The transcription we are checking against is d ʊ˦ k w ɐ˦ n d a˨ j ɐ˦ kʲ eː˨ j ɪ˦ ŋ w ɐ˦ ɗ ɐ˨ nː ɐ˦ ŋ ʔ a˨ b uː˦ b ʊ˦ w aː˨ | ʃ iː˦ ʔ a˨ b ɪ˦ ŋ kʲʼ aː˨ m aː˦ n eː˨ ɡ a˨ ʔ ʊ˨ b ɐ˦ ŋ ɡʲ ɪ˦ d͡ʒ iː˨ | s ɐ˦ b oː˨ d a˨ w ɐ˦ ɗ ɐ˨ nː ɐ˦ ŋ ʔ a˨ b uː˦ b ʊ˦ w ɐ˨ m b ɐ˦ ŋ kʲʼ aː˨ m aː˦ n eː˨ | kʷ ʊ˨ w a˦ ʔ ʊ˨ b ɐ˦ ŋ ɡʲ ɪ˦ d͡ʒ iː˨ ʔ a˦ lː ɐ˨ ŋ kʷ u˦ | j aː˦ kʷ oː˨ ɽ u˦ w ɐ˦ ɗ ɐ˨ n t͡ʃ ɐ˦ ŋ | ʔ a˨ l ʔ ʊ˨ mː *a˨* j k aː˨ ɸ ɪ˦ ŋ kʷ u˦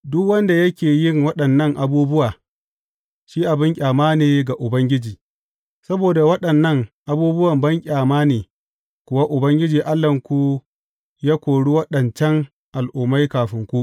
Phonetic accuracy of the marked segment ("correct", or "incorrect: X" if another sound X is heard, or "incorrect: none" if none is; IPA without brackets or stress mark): incorrect: a˦